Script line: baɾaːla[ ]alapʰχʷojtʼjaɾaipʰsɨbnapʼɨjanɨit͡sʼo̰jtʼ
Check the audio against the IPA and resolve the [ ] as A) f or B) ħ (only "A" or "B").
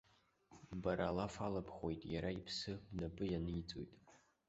A